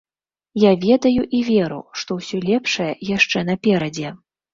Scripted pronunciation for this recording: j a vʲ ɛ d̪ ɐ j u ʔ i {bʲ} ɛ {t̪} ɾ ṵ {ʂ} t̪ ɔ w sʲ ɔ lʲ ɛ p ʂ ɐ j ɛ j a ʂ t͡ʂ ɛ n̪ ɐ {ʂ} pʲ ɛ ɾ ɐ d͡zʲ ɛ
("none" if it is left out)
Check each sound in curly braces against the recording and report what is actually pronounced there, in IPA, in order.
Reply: vʲ, none, ʂ, none

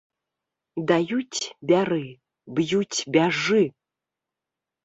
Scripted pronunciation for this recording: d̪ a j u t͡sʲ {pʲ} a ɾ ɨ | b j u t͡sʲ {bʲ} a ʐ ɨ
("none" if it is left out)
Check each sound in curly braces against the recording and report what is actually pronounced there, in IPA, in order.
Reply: bʲ, bʲ

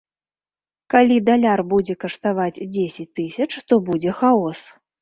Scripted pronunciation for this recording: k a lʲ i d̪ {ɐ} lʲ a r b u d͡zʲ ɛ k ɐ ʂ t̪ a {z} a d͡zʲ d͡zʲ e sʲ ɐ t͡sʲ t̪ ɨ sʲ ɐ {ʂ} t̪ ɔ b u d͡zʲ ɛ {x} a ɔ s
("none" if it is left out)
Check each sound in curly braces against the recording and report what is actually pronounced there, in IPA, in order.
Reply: a, v, t͡ʂ, x

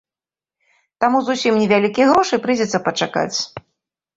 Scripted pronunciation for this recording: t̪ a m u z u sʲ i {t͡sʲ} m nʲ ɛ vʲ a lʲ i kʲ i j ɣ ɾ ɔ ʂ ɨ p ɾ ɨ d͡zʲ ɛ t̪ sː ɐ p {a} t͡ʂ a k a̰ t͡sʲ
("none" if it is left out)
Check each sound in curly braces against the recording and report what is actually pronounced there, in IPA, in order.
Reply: none, ɐ

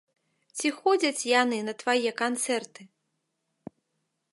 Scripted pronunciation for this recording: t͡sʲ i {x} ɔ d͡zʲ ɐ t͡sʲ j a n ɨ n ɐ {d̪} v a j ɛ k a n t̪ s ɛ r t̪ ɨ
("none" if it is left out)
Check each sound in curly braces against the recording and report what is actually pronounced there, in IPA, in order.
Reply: x, t̪

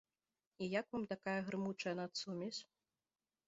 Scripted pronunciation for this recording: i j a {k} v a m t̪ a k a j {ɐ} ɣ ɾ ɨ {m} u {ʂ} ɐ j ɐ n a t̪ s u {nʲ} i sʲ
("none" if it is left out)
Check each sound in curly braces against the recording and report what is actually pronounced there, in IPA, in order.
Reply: k, ɐ, m, t͡ʂ, mʲ

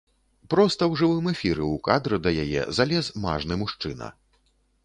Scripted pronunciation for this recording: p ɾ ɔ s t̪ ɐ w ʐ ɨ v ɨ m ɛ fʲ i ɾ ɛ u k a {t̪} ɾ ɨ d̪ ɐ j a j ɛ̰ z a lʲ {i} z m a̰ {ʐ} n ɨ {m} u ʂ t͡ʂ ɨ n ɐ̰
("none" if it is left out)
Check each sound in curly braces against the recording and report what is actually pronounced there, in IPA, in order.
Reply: d̪, ɛ, ʐ, m

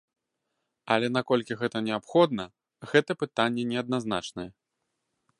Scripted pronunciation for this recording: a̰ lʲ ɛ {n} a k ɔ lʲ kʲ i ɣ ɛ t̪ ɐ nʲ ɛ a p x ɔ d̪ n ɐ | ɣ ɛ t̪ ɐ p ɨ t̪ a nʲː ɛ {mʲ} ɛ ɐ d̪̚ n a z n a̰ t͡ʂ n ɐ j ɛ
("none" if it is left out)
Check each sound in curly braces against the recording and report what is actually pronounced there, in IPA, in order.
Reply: n, nʲ

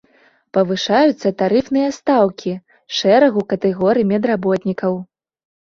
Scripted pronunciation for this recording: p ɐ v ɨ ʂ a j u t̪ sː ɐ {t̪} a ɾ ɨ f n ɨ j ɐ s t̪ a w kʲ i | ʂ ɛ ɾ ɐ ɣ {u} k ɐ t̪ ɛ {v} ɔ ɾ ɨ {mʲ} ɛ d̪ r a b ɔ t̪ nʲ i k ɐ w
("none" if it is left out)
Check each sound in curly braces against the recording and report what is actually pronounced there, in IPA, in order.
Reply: t̪, u, ɣ, mʲ

